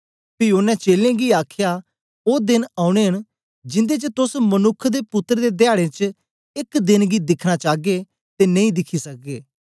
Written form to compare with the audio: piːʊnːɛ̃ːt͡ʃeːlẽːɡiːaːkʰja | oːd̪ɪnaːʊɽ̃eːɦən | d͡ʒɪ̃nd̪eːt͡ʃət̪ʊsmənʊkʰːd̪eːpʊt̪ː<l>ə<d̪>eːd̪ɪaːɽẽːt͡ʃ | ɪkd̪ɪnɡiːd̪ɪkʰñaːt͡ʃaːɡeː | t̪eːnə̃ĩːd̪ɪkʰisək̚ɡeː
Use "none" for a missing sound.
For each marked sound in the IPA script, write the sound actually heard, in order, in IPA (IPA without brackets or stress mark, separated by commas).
ɾ, d̪